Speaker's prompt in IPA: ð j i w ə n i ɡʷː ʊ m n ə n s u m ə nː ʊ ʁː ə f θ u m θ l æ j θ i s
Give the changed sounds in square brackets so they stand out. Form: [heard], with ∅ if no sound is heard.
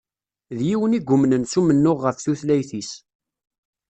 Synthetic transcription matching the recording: ð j i w ə n i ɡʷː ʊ m n ə n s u m ə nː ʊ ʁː ə f θ u [∅] θ l æ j θ i s